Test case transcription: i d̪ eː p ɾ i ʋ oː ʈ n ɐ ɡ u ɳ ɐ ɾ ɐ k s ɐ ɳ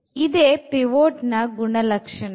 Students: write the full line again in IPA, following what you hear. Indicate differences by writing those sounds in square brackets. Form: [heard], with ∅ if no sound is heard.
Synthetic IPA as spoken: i d̪ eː p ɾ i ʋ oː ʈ n ɐ ɡ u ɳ ɐ [l] ɐ k [ʂ] ɐ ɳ

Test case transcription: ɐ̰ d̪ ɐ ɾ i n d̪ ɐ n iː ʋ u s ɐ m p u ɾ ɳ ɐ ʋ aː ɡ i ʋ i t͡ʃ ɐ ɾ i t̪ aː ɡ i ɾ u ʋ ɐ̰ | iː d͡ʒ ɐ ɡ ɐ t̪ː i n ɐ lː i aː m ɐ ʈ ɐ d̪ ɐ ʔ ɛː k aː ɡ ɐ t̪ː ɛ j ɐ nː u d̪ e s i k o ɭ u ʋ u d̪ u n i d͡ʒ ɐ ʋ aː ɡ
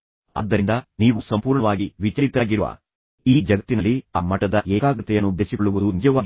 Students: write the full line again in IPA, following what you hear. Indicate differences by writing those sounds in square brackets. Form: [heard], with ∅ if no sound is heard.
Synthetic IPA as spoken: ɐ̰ [d̪ː] ɐ ɾ i n d̪ ɐ n iː ʋ u s ɐ m p [uː] ɾ ɳ ɐ ʋ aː ɡ i ʋ i t͡ʃ ɐ ɾ i t̪ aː ɡ i ɾ u ʋ ɐ̰ | iː d͡ʒ ɐ ɡ ɐ t̪ː i n ɐ lː i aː m ɐ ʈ ɐ d̪ ɐ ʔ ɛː k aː ɡ ɐ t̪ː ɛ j ɐ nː u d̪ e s i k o ɭ u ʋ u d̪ u n i d͡ʒ ɐ ʋ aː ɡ

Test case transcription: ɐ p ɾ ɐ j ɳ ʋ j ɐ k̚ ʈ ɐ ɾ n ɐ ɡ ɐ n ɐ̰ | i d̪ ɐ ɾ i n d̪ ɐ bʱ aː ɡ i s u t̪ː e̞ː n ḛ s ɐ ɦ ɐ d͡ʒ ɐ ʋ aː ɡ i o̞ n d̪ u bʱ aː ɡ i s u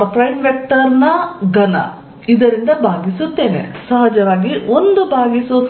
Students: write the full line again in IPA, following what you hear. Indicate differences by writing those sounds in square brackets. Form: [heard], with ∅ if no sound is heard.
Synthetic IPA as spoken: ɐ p ɾ ɐ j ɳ ʋ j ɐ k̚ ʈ ɐ ɾ n ɐ ɡ ɐ n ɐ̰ | i d̪ ɐ ɾ i n d̪ ɐ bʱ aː ɡ i s u t̪ː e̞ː n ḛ s ɐ ɦ ɐ d͡ʒ ɐ ʋ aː ɡ i o̞ n d̪ u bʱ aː ɡ i s u

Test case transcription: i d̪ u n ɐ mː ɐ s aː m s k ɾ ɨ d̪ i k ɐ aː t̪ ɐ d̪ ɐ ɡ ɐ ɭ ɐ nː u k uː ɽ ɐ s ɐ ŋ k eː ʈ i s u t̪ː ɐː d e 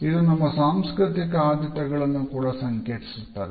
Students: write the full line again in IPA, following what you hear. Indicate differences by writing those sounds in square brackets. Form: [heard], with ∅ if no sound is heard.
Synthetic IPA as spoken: i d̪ u n ɐ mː ɐ s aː m s k ɾ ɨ [t̪] i k ɐ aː [d̪] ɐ [t̪] ɐ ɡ ɐ ɭ ɐ nː u k uː ɽ ɐ s ɐ ŋ k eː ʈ i s u t̪ː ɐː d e

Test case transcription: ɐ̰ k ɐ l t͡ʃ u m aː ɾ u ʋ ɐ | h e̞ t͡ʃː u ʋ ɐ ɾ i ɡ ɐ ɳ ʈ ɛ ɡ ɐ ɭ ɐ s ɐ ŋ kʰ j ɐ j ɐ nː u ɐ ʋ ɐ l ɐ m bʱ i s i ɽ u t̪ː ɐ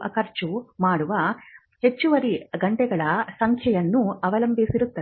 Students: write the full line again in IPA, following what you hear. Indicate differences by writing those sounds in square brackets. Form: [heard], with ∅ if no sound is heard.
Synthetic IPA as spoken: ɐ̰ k ɐ [ɾ] t͡ʃ u m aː [ɽ] u ʋ ɐ | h e̞ t͡ʃː u ʋ ɐ ɾ i ɡ ɐ ɳ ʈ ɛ ɡ ɐ ɭ ɐ s ɐ ŋ kʰ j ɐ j ɐ nː u ɐ ʋ ɐ l ɐ m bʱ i s i [ɾ] u t̪ː ɐ

